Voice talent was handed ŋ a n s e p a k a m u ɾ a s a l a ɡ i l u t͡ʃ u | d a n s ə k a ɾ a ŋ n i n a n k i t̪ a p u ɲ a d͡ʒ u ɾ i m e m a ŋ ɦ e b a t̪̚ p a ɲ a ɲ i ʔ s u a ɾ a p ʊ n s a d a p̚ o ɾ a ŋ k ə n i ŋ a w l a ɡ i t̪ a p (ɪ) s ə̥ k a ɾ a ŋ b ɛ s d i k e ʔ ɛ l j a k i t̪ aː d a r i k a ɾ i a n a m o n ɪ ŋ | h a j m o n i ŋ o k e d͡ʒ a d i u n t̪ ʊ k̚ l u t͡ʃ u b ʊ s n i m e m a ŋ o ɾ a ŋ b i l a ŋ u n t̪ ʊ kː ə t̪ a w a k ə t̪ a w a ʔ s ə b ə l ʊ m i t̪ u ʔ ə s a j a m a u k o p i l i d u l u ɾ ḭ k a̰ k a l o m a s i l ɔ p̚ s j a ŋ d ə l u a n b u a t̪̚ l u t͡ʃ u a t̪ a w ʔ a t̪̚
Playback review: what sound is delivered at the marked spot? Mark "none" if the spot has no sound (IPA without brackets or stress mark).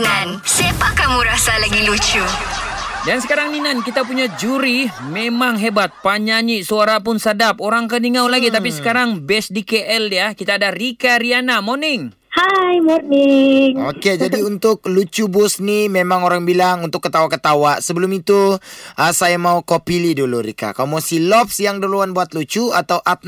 i